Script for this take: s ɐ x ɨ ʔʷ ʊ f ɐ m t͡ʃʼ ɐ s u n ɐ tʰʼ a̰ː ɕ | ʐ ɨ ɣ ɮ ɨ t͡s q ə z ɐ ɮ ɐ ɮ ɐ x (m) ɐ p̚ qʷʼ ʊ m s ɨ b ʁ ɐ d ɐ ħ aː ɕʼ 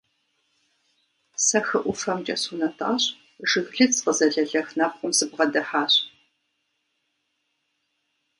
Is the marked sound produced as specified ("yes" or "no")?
no